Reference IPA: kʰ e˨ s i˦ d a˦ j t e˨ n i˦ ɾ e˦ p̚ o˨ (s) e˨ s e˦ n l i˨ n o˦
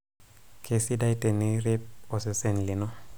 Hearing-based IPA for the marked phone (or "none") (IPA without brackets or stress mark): s